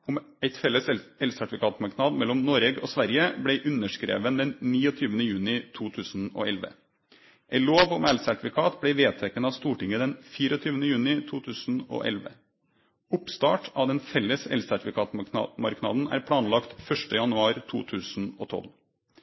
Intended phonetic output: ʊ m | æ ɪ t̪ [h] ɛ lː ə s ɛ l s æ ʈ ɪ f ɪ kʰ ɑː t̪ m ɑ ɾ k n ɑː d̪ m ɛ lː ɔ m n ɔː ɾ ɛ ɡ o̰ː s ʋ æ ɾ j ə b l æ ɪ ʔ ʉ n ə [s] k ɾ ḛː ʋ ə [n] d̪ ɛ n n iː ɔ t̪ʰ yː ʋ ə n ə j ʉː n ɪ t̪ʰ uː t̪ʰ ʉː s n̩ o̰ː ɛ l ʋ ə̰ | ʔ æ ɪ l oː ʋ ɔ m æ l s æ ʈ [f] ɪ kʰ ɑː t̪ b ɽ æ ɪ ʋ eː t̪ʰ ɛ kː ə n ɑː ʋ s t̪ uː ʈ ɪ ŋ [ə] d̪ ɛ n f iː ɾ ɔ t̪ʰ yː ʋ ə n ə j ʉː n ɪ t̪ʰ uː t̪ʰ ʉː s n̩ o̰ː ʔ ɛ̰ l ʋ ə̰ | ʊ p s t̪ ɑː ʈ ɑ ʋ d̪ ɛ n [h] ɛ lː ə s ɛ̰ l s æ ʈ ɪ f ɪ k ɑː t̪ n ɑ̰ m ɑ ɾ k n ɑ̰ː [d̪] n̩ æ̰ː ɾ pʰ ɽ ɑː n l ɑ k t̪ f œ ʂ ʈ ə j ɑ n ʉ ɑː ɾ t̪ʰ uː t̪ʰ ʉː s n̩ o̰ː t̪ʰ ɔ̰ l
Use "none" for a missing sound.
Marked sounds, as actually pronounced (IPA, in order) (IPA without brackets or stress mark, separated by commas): f, ʂ, n, f, ə, f, d̪